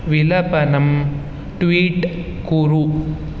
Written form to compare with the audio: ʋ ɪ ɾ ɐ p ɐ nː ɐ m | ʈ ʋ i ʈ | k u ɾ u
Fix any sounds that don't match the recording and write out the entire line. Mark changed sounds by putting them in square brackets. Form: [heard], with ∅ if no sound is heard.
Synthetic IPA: ʋ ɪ [l] ɐ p ɐ [n] ɐ m | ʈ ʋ [iː] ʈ | k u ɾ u